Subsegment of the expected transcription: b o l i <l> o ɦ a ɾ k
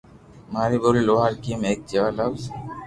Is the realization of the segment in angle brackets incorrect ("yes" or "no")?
no